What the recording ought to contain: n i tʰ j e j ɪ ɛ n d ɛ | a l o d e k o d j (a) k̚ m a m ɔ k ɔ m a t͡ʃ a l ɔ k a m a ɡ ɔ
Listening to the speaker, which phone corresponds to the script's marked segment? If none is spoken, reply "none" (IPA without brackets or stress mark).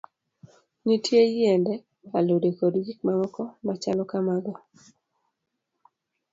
i